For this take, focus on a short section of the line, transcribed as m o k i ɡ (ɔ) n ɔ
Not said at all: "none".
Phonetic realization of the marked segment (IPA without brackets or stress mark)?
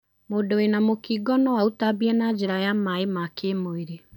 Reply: ɔ